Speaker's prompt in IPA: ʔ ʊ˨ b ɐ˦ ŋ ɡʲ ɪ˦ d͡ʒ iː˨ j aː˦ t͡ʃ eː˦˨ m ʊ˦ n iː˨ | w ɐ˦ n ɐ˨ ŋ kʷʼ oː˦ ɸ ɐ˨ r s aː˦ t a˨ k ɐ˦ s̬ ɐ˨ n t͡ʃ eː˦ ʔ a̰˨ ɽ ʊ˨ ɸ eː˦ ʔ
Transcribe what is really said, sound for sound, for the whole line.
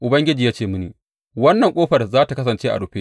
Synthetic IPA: ʔ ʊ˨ b ɐ˦ ŋ ɡʲ ɪ˦ d͡ʒ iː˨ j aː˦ t͡ʃ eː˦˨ m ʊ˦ n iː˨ | w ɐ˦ nː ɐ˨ ŋ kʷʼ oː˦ ɸ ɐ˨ r z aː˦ t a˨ k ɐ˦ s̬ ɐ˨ n t͡ʃ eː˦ ʔ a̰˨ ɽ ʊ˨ ɸ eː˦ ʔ